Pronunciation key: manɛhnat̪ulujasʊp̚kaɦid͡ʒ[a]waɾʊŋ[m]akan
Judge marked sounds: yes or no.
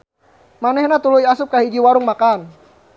no, yes

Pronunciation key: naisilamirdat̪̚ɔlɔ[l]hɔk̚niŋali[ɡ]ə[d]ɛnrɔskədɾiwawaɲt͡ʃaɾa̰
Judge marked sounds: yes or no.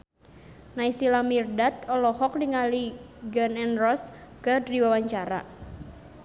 no, yes, no

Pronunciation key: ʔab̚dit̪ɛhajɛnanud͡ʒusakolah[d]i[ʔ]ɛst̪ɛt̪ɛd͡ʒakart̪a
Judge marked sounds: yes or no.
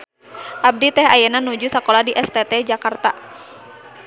yes, yes

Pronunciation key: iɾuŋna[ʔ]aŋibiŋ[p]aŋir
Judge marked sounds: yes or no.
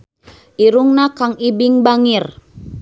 no, no

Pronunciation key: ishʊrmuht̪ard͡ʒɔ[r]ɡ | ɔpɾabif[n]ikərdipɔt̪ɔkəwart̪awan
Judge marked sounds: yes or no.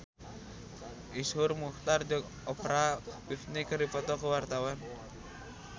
no, yes

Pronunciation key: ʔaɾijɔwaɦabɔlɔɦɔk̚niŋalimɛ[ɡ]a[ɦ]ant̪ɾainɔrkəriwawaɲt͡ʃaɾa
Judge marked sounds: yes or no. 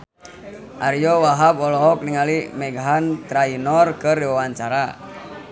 yes, yes

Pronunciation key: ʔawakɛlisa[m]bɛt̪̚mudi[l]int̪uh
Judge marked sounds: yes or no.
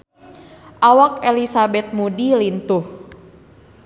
no, yes

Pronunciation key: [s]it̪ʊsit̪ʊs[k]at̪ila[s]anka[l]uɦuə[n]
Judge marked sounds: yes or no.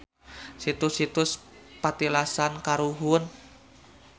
yes, no, yes, no, yes

